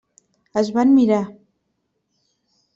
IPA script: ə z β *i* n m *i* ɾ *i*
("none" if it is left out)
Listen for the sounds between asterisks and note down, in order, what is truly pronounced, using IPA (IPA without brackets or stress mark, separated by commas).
a, i, a